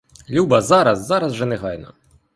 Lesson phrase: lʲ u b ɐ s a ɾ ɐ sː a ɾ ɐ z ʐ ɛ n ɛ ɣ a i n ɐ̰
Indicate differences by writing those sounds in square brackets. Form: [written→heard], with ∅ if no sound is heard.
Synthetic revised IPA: lʲ u b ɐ [s→z] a ɾ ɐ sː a ɾ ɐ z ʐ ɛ n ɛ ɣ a [i→j] n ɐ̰